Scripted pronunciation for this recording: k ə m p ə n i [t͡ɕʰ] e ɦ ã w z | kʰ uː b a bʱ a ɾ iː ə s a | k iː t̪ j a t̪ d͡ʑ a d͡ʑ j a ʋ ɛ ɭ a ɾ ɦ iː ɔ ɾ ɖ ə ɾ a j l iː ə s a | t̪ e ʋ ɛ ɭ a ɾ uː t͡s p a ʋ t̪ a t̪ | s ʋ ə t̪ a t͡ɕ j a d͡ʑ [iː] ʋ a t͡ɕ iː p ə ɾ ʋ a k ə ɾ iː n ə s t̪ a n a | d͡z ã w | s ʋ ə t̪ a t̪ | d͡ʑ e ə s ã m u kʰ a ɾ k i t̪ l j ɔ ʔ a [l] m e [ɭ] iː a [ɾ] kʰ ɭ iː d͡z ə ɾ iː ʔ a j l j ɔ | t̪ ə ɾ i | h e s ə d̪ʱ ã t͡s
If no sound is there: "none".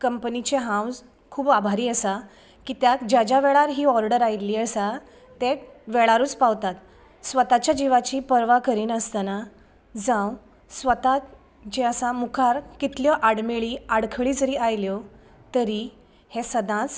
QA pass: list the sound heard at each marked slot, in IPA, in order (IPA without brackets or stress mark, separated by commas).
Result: t͡ɕ, i, ɽ, ɭ, ɽ